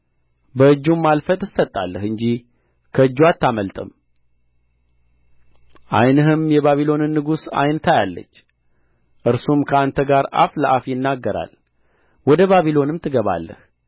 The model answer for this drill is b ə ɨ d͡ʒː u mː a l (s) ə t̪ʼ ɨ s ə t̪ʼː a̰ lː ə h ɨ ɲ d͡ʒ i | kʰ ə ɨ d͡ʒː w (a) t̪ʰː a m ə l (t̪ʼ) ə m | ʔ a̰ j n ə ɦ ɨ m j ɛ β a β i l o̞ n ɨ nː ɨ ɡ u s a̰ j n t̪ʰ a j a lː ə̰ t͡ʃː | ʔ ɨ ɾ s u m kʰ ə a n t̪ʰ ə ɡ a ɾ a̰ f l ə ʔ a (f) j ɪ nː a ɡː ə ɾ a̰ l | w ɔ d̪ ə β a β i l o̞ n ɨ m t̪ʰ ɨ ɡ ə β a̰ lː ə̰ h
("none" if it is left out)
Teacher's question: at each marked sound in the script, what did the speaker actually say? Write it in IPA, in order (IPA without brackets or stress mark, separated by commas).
f, a, t̪ʼ, f